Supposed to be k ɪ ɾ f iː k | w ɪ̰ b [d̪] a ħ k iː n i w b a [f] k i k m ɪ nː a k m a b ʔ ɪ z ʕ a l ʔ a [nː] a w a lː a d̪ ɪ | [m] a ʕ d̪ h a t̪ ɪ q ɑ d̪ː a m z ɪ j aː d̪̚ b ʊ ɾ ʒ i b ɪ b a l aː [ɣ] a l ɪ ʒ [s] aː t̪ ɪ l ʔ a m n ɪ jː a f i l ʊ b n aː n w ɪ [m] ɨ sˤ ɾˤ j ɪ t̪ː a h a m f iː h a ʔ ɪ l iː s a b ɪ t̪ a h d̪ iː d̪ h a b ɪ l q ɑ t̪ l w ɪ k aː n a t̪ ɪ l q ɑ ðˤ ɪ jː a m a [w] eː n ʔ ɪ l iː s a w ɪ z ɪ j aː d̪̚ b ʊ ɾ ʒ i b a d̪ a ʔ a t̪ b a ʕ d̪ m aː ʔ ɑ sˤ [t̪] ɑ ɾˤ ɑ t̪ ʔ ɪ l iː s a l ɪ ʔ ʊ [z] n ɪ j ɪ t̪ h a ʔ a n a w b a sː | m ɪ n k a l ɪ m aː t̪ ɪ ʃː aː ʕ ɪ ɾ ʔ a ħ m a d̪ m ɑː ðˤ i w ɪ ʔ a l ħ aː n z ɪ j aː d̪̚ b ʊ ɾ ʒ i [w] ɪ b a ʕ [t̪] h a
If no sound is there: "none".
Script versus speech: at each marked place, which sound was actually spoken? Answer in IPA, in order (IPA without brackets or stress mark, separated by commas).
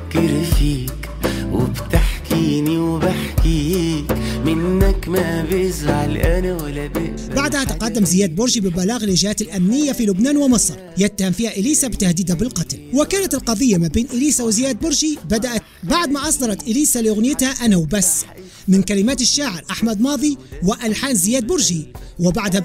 t̪, ħ, n, b, ɣ, h, m, b, d̪, ɣ, w, d̪